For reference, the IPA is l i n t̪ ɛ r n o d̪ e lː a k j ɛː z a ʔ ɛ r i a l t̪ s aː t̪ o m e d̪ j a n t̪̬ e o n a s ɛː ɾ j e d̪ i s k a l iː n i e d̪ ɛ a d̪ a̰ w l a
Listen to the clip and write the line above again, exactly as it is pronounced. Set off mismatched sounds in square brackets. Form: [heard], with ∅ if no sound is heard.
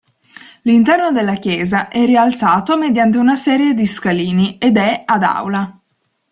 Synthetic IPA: l i n t̪ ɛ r n o d̪ e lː a k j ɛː z a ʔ ɛ r i a l t̪ s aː t̪ o m e d̪ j a n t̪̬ e [u] n a s ɛː ɾ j e d̪ i s k a l iː n i e d̪ ɛ a d̪ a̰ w l a